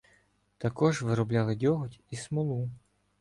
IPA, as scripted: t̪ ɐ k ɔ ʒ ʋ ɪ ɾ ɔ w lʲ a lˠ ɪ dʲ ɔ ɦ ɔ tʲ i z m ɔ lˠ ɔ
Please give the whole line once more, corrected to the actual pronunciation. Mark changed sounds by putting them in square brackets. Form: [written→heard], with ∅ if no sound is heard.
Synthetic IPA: t̪ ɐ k ɔ ʒ ʋ ɪ ɾ ɔ [w→b] lʲ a lˠ ɪ dʲ ɔ ɦ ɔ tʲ i [z→s] m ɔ lˠ [ɔ→u]